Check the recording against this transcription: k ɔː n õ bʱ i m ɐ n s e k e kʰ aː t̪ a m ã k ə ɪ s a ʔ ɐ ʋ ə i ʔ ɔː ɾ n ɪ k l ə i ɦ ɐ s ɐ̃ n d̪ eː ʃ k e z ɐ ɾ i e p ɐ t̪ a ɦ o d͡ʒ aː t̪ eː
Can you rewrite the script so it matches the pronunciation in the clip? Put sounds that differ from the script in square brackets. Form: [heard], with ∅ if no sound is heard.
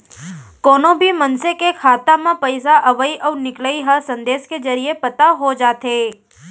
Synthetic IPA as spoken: k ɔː n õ bʱ i m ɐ n s e k e kʰ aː t̪ a m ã [p] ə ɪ s a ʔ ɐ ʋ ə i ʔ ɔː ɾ n ɪ k l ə i ɦ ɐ s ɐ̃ n d̪ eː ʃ k e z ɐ ɾ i e p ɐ t̪ a ɦ o d͡ʒ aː t̪ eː

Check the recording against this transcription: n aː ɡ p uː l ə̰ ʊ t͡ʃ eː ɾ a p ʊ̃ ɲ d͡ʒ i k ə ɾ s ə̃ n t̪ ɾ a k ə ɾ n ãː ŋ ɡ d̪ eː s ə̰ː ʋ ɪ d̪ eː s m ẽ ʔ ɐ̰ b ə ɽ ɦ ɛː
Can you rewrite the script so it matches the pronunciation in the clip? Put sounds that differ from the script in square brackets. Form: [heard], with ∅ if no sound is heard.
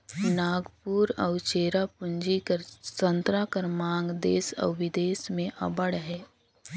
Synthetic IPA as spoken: n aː ɡ p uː [ɾ] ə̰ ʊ t͡ʃ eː ɾ a p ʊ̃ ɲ d͡ʒ i k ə ɾ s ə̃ n t̪ ɾ a k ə ɾ [m] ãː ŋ ɡ d̪ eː s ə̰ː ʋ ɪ d̪ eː s m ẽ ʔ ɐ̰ b ə ɽ ɦ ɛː

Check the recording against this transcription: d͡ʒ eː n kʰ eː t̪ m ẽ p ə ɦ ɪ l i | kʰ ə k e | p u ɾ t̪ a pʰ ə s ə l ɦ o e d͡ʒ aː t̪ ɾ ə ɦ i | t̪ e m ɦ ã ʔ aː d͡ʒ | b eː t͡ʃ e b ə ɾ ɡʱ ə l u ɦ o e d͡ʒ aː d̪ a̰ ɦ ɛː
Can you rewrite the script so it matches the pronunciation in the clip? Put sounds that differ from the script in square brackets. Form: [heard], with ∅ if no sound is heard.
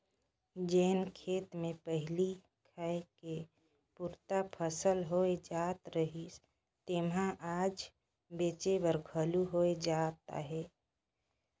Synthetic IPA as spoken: d͡ʒ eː n kʰ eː t̪ m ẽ p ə ɦ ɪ l i | kʰ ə k e | p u ɾ t̪ a pʰ ə s ə l ɦ o e d͡ʒ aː t̪ ɾ ə ɦ i | t̪ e m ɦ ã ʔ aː d͡ʒ | b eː t͡ʃ e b ə ɾ ɡʱ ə l u ɦ o e d͡ʒ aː [t̪] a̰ ɦ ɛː

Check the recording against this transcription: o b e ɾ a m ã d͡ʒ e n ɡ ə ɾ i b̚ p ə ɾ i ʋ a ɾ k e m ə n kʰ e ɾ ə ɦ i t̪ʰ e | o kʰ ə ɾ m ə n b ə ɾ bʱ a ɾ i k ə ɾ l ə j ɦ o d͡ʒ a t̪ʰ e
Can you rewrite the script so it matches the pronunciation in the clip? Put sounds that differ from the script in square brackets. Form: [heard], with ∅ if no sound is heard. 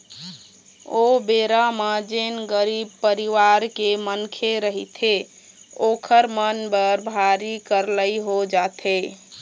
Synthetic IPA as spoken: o b e ɾ a m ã d͡ʒ e n ɡ ə ɾ i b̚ p ə ɾ i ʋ a ɾ k e m ə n kʰ e ɾ ə ɦ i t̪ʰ e | o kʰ ə ɾ m ə n b ə ɾ bʱ a ɾ i k ə ɾ l ə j ɦ o d͡ʒ a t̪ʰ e

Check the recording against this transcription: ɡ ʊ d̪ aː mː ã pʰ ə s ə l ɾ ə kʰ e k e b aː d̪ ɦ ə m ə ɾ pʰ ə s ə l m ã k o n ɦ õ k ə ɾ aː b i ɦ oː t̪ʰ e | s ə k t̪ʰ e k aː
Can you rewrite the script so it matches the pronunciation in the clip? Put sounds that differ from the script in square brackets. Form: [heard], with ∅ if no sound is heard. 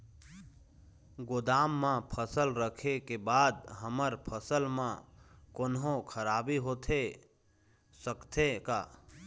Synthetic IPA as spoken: ɡ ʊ d̪ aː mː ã pʰ ə s ə l ɾ ə kʰ e k e b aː d̪ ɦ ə m ə ɾ pʰ ə s ə l m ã k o n ɦ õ [kʰ] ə ɾ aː b i ɦ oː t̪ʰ e | s ə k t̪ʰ e k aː

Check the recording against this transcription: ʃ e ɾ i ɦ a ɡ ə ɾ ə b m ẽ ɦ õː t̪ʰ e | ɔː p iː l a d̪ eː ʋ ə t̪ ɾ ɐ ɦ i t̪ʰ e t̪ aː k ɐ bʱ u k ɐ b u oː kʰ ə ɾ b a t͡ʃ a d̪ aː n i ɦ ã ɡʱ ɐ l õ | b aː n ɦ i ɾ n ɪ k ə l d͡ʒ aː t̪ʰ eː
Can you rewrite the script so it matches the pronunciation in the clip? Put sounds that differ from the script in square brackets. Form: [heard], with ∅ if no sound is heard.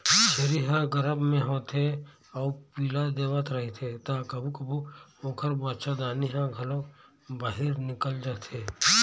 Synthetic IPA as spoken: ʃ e ɾ i ɦ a ɡ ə ɾ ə b m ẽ ɦ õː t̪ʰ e | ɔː p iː l a d̪ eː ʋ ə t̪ ɾ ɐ ɦ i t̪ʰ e t̪ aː k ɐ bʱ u k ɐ b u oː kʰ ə ɾ b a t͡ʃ a d̪ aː n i ɦ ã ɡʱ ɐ l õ | b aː [∅] ɦ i ɾ n ɪ k ə l d͡ʒ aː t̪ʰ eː

